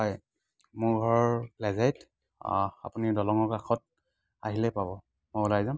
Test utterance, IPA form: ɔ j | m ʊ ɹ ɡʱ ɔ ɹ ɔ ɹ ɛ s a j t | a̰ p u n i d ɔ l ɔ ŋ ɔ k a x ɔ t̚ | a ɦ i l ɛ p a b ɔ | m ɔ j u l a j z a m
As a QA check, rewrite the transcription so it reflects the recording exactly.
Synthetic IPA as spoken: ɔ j | m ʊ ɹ ɡʱ ɔ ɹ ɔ l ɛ z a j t | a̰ p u n i d ɔ l ɔ ŋ ɔ k a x ɔ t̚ | a ɦ i l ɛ p a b ɔ | m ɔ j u l a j z a m